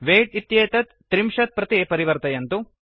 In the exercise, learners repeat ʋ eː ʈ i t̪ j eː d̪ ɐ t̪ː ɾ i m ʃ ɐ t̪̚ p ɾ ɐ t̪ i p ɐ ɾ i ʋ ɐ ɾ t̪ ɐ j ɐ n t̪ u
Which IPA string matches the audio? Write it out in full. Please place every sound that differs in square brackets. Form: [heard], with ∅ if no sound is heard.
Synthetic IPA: ʋ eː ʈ i t̪ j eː [t̪] ɐ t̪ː ɾ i m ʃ ɐ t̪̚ p ɾ ɐ t̪ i p ɐ ɾ i ʋ ɐ ɾ t̪ ɐ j ɐ n t̪ u